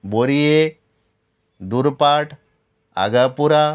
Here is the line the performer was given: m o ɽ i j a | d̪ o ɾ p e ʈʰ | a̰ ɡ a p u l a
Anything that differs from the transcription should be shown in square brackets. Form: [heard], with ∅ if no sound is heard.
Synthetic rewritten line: [b] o [ɾ] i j [e] | d̪ [u] ɾ p [a] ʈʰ | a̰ ɡ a p u [ɾ] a